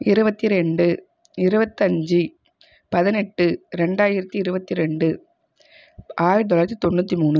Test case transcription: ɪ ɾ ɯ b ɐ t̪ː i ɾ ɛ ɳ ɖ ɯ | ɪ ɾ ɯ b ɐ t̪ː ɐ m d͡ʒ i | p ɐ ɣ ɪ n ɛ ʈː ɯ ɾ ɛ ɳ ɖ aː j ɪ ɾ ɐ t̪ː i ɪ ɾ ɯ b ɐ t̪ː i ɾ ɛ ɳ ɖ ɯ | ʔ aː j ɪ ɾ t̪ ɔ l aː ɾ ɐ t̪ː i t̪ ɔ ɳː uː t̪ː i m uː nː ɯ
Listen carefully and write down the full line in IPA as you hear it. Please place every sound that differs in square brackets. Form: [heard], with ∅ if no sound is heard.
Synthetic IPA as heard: ɪ ɾ ɯ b ɐ t̪ː i ɾ ɛ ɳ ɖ ɯ | ɪ ɾ ɯ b ɐ t̪ː ɐ [ɲ] d͡ʒ i | p ɐ [ð] ɪ n ɛ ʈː ɯ ɾ ɛ ɳ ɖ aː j ɪ ɾ ɐ t̪ː i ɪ ɾ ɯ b ɐ t̪ː i ɾ ɛ ɳ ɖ ɯ | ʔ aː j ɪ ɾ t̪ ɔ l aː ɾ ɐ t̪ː i t̪ ɔ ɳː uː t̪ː i m uː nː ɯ